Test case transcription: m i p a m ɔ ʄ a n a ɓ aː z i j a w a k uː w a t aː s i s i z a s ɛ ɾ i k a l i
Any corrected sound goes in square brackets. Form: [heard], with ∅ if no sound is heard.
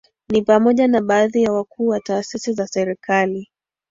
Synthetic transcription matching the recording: [n] i p a m ɔ ʄ a n a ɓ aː [ð] i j a w a k uː w a t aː s i s i z a s ɛ ɾ i k a l i